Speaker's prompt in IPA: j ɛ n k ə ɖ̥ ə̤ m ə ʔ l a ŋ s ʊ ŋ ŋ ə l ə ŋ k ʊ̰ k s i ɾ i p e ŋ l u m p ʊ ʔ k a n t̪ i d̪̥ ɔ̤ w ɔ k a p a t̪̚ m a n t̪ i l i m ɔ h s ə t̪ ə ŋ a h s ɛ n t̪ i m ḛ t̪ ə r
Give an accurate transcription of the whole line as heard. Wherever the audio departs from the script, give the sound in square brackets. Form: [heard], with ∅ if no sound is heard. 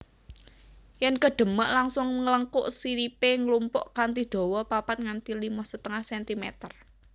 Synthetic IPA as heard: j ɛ n k ə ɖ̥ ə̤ m ə ʔ l a ŋ s ʊ ŋ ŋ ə l ə ŋ k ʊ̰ [ʔ] s i ɾ i p e ŋ l u m p ʊ ʔ k a n t̪ i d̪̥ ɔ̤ w ɔ [p] a p a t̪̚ [ŋ] a n t̪ i l i m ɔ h s ə t̪ ə ŋ a h s ɛ n t̪ i m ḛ t̪ ə r